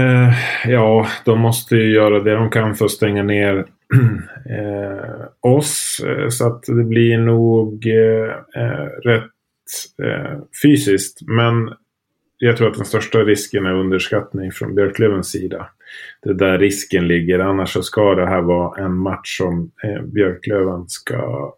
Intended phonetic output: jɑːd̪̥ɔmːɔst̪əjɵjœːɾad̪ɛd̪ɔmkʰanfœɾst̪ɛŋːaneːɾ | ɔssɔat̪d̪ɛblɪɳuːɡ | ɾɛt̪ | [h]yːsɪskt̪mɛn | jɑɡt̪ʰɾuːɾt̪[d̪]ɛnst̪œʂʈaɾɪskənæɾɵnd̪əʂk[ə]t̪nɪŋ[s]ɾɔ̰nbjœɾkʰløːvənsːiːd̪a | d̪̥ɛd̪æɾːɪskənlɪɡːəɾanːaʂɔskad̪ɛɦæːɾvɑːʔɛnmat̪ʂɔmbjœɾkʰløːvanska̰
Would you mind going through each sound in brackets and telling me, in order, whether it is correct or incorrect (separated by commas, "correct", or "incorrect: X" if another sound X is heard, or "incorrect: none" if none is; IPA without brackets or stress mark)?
incorrect: f, correct, incorrect: a, incorrect: f